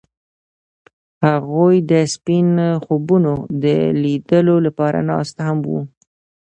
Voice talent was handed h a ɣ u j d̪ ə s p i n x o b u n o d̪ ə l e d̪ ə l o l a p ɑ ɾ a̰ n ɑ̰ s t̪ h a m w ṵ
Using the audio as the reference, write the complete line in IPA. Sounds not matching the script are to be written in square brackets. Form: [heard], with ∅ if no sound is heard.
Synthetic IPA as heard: h a ɣ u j d̪ ə s p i n x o b u n o d̪ ə l [i] d̪ ə l o l a p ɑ ɾ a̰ n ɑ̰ s t̪ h a m w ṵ